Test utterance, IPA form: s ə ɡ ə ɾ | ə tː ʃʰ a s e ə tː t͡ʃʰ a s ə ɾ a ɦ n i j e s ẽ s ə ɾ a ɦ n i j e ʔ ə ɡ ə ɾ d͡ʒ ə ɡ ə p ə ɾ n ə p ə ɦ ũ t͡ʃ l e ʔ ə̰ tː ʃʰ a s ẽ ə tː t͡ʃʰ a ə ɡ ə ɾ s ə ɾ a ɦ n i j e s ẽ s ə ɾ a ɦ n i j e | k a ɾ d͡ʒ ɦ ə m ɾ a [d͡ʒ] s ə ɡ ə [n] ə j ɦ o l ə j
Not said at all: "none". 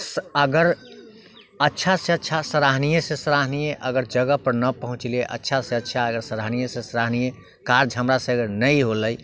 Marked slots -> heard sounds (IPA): none, n

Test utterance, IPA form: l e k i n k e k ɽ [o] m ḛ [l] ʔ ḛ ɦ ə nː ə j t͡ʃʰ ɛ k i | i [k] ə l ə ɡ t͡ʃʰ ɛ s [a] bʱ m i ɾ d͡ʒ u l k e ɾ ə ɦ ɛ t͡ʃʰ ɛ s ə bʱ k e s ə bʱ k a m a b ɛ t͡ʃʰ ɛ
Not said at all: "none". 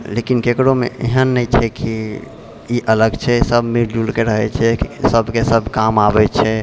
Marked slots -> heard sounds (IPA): o, none, ʔ, ə

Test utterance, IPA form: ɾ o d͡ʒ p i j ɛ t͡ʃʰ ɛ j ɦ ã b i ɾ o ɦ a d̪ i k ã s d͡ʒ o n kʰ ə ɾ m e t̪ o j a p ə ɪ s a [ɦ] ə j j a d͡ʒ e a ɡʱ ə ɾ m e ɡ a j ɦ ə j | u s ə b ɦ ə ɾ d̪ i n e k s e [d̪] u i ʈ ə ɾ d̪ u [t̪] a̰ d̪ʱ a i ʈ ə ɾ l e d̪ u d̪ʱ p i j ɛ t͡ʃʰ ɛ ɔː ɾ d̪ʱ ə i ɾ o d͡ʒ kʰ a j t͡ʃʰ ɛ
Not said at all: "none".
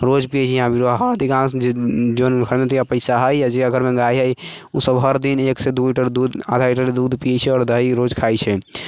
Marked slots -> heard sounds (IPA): ɦ, d̪, d̪

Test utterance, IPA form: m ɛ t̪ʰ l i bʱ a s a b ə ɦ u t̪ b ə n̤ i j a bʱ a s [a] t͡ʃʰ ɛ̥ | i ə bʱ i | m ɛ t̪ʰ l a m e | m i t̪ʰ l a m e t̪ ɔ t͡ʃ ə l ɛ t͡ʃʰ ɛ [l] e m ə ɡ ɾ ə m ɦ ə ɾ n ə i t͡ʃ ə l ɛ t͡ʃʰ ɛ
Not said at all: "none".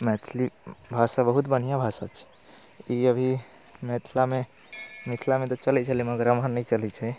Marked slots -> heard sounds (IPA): a, l

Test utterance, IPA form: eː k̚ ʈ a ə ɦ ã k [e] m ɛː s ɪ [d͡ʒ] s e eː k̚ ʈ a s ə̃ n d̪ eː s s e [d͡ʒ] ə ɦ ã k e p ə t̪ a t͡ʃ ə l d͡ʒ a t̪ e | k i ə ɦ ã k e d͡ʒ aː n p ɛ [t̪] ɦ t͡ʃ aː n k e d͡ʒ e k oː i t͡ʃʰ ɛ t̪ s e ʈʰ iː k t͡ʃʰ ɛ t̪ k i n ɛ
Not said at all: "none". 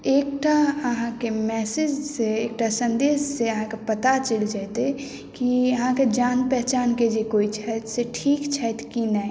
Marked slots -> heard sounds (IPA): e, d͡ʒ, none, none

